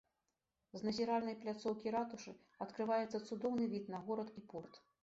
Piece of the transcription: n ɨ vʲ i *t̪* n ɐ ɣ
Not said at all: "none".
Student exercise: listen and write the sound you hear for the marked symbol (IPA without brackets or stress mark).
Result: t̪